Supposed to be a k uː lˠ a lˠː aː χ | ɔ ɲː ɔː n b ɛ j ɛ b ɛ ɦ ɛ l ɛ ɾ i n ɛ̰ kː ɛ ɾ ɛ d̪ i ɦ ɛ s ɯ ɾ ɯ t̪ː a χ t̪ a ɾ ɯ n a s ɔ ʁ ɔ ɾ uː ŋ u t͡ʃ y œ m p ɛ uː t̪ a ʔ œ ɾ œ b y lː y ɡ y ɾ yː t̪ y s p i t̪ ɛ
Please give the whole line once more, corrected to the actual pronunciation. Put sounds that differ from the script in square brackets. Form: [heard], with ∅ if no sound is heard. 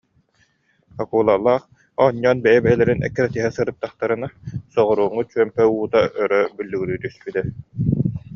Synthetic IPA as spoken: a k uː lˠ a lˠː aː χ | ɔ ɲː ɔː n b ɛ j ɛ b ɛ ɦ ɛ l ɛ ɾ i n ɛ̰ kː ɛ ɾ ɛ [t̪] i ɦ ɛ s ɯ ɾ ɯ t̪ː a χ t̪ a ɾ ɯ n a s ɔ ʁ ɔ ɾ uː ŋ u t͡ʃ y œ m p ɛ uː t̪ a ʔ œ ɾ œ b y lː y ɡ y ɾ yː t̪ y s p i t̪ ɛ